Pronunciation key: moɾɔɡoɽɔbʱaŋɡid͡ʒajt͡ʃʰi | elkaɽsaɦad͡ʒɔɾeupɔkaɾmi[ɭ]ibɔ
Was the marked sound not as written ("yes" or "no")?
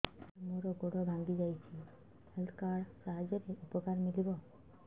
yes